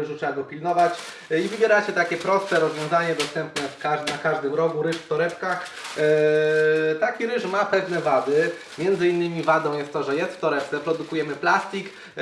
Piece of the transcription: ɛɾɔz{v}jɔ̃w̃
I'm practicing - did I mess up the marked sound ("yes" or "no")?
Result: no